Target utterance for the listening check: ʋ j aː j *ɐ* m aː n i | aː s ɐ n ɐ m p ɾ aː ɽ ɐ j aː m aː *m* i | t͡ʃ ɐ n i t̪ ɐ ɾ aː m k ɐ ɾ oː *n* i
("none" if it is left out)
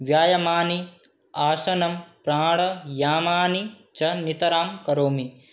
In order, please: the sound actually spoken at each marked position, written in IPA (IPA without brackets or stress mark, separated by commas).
ɐ, n, m